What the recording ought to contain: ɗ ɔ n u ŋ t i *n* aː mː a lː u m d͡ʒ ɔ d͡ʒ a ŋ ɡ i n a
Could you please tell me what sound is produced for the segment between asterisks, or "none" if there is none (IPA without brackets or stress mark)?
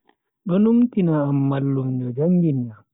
n